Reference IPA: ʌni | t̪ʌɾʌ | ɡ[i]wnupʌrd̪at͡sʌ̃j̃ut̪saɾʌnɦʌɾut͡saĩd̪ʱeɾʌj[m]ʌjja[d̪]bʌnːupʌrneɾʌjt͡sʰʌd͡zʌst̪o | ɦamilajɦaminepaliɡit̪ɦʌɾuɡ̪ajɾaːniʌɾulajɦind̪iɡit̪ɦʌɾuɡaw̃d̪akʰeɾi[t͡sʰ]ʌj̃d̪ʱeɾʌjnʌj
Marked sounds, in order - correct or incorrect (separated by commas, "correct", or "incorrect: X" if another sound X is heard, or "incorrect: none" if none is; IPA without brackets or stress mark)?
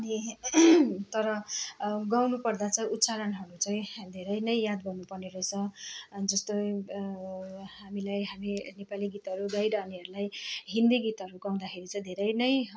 incorrect: a, incorrect: n, correct, incorrect: t͡s